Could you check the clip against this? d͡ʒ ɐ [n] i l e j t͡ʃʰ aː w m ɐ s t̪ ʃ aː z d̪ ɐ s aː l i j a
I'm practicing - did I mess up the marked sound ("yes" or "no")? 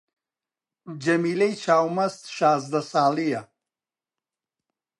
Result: yes